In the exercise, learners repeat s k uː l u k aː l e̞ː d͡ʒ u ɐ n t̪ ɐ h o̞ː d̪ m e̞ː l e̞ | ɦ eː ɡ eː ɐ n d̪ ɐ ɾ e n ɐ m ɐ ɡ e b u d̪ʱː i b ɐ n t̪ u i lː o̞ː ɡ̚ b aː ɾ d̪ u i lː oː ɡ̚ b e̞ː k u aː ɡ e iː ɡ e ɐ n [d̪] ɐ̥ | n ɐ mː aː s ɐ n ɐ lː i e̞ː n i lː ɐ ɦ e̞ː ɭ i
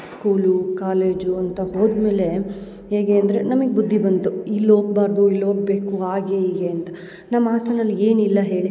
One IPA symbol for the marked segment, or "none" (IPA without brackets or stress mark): t̪